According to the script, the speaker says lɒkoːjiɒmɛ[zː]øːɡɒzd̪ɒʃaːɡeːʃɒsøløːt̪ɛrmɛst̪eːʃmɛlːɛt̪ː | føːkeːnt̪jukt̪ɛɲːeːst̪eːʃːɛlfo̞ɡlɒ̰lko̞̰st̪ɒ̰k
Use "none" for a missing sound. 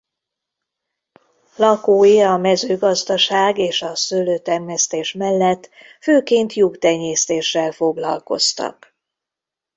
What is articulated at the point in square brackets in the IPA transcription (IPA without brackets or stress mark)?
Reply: z